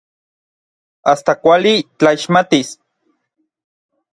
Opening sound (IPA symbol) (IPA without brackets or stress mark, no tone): a